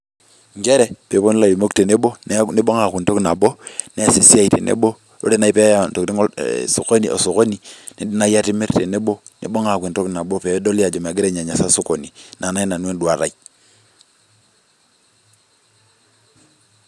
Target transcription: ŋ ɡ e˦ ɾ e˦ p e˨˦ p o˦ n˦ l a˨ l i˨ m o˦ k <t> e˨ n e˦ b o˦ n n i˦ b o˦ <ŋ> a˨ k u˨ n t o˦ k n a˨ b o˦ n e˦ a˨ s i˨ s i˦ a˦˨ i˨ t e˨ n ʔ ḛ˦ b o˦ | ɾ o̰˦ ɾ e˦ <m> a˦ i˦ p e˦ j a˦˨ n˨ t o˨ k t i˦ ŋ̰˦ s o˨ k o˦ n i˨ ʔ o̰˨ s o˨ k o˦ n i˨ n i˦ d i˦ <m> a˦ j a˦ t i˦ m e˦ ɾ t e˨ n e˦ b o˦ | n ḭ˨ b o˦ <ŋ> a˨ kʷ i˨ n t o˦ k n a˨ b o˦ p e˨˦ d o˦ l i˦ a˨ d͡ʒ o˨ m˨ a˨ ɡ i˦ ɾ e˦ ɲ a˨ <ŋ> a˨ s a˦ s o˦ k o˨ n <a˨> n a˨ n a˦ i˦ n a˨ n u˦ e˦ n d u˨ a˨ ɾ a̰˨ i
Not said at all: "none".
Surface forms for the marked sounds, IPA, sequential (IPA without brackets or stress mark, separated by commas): t, ŋ, n, n, ŋ, ɲ, i˨